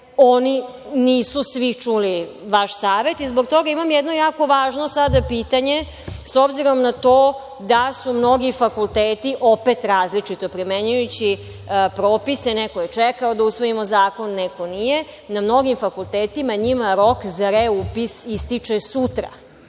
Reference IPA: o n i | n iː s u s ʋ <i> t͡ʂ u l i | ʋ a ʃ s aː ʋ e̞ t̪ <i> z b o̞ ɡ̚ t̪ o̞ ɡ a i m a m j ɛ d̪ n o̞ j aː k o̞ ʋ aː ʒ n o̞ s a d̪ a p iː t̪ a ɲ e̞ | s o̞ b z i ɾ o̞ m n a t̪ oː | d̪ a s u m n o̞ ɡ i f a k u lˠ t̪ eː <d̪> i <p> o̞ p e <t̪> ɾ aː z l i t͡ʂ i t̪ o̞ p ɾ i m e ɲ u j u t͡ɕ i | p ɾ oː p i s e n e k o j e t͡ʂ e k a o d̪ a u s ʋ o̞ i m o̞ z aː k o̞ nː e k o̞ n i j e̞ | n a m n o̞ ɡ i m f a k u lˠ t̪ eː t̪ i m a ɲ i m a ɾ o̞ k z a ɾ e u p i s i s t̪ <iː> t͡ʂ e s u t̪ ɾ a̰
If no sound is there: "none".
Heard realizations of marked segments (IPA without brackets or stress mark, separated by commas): i, i, t̪, ʔ, t̪, i